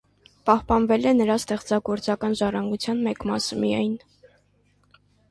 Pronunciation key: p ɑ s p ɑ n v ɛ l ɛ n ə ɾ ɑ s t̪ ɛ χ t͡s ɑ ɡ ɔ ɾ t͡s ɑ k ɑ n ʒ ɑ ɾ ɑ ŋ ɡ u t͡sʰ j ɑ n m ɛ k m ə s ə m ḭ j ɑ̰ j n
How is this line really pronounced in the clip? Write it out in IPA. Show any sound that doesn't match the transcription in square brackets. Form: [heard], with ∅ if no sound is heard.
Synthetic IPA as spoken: p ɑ [h] p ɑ n v ɛ l ɛ n ə ɾ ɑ s t̪ ɛ χ t͡s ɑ ɡ ɔ ɾ t͡s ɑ k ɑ n ʒ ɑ [r] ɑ ŋ ɡ u t͡sʰ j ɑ n m ɛ k m [ɑ] s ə m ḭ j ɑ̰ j n